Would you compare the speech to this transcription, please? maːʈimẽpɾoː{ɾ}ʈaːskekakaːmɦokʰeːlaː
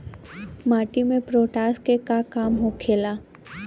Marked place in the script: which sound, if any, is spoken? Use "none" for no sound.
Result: none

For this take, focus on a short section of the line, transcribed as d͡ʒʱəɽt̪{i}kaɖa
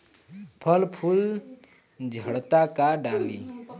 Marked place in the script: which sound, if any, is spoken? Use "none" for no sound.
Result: a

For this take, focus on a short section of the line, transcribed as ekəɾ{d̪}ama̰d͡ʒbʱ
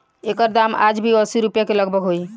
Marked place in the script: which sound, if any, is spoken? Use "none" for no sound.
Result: d̪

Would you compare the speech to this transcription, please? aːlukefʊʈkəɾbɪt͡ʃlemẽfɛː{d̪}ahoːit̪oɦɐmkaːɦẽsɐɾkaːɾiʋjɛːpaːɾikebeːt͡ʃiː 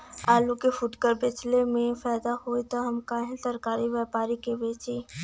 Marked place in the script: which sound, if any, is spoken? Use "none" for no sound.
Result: d̪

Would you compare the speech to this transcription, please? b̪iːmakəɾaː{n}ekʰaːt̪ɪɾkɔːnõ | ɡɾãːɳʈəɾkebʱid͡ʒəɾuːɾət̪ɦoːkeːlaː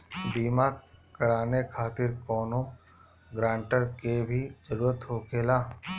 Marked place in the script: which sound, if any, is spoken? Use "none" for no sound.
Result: n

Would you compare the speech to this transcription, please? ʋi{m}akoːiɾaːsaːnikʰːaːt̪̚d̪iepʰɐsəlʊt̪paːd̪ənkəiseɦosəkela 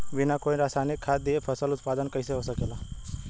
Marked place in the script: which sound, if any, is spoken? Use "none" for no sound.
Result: n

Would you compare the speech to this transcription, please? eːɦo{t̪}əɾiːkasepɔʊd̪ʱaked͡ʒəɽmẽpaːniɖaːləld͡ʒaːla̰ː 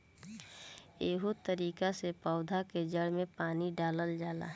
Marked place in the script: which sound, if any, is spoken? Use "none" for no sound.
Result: t̪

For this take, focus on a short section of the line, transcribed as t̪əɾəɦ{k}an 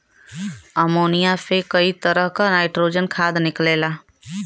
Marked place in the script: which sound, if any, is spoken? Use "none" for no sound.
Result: k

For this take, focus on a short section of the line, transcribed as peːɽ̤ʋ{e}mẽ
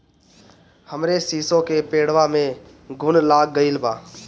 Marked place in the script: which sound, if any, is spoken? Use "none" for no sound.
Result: a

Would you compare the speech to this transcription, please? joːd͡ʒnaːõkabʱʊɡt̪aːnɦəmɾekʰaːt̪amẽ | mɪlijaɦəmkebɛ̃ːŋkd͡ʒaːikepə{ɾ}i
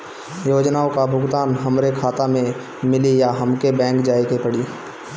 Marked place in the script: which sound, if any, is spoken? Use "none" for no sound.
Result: ɽ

